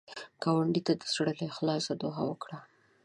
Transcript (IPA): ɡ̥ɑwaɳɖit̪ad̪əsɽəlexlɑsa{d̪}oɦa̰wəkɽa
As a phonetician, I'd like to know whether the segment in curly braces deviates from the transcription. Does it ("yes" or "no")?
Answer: no